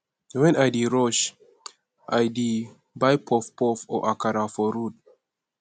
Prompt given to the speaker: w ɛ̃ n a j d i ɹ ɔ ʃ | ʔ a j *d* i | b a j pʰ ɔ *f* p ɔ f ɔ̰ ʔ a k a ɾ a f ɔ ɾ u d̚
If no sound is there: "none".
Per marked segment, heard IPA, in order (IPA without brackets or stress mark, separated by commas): d, f